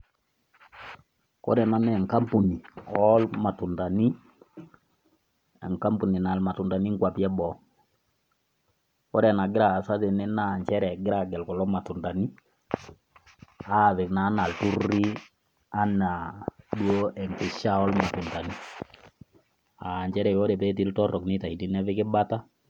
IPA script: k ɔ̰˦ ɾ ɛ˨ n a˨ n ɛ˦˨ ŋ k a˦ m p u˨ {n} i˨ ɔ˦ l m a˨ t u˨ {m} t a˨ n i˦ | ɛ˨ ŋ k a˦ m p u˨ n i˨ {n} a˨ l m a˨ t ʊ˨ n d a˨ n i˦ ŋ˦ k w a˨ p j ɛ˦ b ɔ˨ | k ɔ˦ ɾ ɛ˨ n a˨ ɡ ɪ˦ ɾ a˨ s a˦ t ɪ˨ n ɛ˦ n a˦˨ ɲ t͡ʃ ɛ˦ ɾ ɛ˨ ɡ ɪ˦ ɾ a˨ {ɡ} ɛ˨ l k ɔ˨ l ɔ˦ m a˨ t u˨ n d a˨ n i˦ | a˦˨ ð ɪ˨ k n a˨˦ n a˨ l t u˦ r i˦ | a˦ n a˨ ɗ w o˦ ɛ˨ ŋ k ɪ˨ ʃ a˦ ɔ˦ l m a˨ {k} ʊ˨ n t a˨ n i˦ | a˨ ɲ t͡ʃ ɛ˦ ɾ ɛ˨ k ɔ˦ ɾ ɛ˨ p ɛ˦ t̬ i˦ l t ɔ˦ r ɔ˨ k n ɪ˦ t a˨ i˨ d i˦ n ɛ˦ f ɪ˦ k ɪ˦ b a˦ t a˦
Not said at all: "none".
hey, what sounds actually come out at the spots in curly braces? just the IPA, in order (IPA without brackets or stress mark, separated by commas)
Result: n, n, n, ɡ, t